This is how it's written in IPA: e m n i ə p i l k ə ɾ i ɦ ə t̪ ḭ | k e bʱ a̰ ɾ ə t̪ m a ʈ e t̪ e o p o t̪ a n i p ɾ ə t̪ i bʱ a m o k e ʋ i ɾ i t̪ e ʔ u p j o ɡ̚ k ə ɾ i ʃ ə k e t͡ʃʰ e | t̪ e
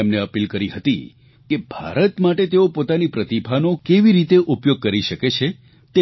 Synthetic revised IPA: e m n e ə p i l k ə ɾ i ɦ ə t̪ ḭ | k e bʱ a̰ ɾ ə t̪ m a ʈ e t̪ e o p o t̪ a n i p ɾ ə t̪ i bʱ a n o k e ʋ i ɾ i t̪ e ʔ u p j o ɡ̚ k ə ɾ i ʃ ə k e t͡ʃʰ e | t̪ e